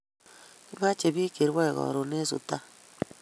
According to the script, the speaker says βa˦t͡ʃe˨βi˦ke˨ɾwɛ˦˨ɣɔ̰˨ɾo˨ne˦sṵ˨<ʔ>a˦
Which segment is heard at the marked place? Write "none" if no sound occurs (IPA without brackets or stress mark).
t